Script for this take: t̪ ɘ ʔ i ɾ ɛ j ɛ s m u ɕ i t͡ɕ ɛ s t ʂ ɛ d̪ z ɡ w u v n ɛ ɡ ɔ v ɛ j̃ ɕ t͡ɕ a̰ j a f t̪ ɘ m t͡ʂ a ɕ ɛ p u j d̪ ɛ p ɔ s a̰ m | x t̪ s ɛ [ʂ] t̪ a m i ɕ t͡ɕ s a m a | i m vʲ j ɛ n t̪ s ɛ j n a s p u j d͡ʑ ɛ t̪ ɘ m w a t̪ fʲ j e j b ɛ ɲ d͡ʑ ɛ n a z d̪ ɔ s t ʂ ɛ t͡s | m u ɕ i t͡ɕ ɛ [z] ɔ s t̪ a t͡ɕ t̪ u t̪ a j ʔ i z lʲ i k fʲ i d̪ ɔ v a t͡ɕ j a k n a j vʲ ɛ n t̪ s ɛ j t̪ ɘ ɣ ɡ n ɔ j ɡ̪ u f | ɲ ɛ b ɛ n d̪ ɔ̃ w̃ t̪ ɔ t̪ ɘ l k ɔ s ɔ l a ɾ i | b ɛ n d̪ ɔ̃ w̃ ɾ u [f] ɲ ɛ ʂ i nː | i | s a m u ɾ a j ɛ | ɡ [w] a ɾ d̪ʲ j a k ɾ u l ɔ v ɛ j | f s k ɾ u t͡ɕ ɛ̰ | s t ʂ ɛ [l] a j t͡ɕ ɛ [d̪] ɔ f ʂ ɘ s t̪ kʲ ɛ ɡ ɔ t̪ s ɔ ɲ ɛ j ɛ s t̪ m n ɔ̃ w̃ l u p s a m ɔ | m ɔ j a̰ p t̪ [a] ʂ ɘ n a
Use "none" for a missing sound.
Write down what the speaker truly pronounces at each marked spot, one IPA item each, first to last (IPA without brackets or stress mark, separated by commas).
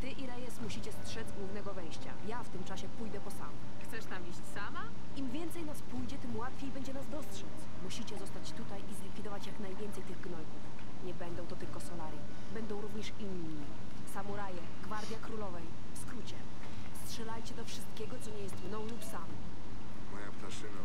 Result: ʂ, z, v, v, l, d̪, a